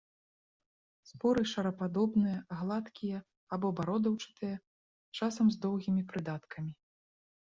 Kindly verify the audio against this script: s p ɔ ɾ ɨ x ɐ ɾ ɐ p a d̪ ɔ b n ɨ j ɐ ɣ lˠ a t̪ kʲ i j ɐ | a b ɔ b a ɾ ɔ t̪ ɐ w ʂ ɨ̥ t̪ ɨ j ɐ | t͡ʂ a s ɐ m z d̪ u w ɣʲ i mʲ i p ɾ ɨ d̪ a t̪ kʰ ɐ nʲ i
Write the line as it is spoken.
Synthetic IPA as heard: s p ɔ ɾ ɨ ʂ ɐ ɾ ɐ p a d̪ ɔ b n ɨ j ɐ ɣ lˠ a t̪ kʲ i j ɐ | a b ɔ b a ɾ ɔ d̪ ɐ w t͡ʂ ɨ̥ t̪ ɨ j ɐ | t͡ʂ a s ɐ m z d̪ ɔ w ɣʲ i mʲ i p ɾ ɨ d̪ a t̪ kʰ ɐ mʲ i